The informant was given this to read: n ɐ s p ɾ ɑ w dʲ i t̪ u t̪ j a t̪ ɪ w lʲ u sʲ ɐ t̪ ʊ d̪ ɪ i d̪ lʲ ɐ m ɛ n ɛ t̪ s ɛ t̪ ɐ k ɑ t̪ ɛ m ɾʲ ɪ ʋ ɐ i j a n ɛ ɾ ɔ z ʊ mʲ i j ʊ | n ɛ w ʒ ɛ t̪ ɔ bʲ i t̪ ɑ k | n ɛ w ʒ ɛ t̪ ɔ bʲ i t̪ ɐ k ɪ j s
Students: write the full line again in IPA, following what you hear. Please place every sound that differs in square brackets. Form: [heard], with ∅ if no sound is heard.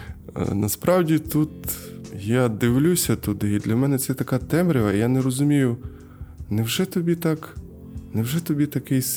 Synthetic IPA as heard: n ɐ s p ɾ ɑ w dʲ i t̪ u t̪ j a [d̪] ɪ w lʲ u sʲ ɐ t̪ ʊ d̪ ɪ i d̪ lʲ ɐ m ɛ n ɛ t̪ s ɛ t̪ ɐ k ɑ t̪ ɛ m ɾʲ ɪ ʋ ɐ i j a n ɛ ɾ ɔ z ʊ mʲ i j ʊ | n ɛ w ʒ ɛ t̪ ɔ bʲ i t̪ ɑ k | n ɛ w ʒ ɛ t̪ ɔ bʲ i t̪ ɐ k ɪ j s